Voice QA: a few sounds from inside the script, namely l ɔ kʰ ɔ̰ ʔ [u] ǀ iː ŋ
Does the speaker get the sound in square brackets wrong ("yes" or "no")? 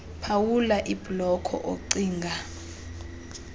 yes